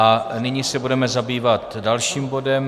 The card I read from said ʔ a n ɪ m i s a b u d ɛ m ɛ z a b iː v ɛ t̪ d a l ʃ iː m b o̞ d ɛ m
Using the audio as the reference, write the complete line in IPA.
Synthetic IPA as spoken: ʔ a n ɪ ɲ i s ɛ b u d ɛ m ɛ z a b iː v a t̪ d a l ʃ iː m b o̞ d ɛ m